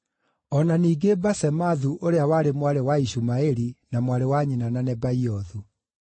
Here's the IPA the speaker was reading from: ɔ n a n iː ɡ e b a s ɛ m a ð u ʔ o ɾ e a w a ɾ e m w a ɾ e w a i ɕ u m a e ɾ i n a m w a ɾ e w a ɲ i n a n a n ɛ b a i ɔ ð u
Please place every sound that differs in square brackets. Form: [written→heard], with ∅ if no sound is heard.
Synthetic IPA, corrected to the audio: ɔ n a n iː ɡ e b a s ɛ m a ð u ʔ o ɾ e a w a ɾ e m w a ɾ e w a i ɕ u m a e ɾ i n a m w a ɾ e w a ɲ i n a n a n ɛ b a i ɔ ð u